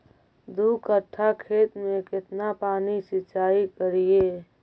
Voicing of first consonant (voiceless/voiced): voiced